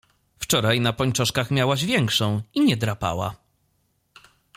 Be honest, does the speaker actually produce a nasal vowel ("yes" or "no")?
yes